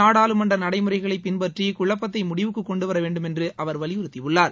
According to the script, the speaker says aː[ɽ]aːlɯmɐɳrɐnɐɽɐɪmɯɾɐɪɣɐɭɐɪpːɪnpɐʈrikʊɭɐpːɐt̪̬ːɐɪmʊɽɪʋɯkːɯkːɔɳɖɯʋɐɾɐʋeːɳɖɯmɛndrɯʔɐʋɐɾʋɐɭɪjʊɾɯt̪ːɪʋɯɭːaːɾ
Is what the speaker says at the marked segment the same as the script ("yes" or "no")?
yes